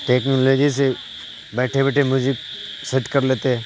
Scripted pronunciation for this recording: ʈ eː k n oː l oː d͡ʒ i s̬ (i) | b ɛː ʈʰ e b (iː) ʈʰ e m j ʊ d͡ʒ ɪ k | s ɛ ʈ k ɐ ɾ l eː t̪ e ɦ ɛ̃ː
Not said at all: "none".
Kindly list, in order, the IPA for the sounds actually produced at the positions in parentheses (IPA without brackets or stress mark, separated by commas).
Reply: e, ɛː